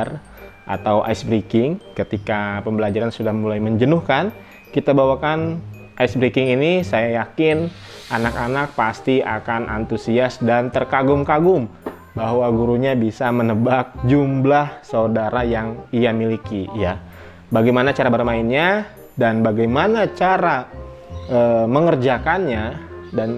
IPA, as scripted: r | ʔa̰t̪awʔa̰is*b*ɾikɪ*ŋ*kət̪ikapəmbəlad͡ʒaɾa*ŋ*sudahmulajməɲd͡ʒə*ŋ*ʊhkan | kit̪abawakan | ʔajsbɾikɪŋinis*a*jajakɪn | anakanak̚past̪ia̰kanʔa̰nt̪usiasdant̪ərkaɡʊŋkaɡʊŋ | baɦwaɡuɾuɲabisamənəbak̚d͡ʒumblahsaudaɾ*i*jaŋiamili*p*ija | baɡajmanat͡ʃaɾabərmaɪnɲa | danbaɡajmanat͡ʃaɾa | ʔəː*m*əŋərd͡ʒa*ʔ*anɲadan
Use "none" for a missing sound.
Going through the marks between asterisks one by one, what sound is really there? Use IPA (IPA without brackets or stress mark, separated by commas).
b, ŋ, n, n, a, a, k, m, k